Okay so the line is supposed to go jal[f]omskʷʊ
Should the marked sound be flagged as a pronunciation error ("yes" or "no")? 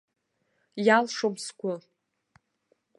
yes